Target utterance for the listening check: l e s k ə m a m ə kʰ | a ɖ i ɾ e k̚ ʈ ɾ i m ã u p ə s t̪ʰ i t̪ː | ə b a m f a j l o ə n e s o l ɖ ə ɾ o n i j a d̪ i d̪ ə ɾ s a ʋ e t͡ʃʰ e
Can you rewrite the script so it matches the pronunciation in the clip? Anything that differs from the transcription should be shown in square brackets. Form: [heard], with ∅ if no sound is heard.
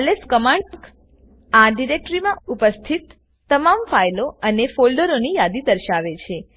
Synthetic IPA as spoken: l e s k ə m a [ɳ] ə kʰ | a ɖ i ɾ e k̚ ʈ ɾ i m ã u p ə s t̪ʰ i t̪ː | ə [m] a m f a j l o ə n e [f] o l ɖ ə ɾ o n i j a d̪ i d̪ ə ɾ [ʃ] a ʋ e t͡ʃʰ e